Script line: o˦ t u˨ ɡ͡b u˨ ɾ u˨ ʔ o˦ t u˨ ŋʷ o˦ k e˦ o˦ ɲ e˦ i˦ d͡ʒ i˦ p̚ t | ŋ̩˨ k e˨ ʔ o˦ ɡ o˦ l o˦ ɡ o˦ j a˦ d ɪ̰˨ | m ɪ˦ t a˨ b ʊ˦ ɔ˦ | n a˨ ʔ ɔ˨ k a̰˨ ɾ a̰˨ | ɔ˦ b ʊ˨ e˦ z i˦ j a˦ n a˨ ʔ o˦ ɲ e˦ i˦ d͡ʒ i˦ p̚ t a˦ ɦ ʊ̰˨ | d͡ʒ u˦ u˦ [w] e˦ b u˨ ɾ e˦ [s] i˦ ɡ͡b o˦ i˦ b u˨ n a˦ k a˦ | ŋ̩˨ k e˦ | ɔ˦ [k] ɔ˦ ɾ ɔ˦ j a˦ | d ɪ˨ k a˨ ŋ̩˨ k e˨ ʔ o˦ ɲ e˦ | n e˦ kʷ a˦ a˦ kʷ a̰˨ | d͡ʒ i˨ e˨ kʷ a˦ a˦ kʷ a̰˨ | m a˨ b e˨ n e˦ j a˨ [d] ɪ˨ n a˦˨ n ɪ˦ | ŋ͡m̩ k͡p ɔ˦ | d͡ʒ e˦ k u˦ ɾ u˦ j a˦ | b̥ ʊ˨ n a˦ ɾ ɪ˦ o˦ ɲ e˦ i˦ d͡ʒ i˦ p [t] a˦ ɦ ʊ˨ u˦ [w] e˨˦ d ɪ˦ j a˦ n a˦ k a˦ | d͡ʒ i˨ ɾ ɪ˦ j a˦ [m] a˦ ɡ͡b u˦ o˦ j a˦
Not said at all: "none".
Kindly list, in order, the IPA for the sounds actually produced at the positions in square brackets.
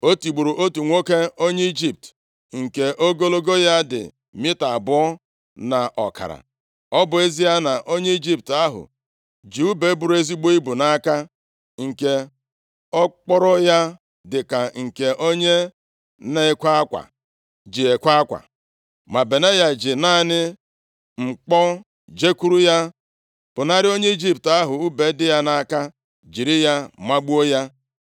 b, z, k͡p, d͡ʒ, t, b, m

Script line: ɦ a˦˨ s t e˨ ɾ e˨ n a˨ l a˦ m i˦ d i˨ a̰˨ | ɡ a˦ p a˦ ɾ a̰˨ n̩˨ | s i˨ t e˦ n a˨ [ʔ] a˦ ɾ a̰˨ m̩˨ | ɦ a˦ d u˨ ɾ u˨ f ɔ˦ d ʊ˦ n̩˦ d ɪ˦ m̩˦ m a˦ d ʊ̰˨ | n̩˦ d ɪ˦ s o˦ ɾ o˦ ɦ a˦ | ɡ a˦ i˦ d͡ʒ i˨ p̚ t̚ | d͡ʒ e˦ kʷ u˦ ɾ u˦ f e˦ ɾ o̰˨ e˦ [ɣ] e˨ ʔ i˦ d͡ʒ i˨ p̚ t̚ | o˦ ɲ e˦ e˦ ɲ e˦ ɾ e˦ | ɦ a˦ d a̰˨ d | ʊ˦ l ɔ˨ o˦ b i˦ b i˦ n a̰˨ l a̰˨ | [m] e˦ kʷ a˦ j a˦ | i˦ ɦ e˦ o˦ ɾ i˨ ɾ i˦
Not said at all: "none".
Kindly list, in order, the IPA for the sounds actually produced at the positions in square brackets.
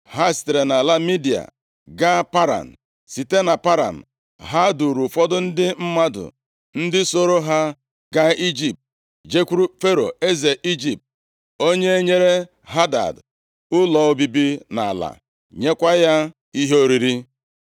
p, z, ɲ

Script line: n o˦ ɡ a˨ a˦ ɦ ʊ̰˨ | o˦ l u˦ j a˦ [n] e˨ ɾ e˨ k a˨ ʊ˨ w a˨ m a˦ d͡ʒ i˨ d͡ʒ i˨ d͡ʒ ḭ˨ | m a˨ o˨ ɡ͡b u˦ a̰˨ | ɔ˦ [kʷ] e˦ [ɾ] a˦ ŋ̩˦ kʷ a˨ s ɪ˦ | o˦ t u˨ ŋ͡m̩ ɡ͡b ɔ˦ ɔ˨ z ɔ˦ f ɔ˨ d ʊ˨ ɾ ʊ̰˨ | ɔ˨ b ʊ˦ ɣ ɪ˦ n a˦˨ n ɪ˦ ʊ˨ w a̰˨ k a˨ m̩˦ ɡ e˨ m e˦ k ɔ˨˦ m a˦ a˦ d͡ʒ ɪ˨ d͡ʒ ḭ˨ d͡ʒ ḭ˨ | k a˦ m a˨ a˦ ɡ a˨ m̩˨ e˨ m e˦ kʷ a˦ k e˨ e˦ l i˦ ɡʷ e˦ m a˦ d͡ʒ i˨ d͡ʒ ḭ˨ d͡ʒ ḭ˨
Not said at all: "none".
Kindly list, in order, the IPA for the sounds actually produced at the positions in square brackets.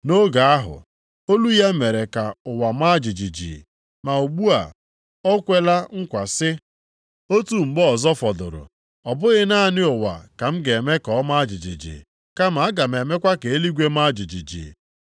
m, kʷ, l

